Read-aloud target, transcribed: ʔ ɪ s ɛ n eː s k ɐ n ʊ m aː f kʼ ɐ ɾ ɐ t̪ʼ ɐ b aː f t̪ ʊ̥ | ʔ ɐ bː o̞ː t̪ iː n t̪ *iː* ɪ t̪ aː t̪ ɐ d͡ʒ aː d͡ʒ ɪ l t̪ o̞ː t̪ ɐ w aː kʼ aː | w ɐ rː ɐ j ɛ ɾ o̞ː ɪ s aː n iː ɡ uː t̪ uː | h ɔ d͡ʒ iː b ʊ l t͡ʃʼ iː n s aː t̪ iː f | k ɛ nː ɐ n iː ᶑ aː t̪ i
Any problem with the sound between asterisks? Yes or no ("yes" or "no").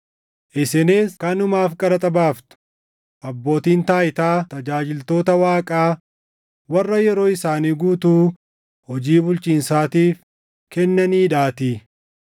yes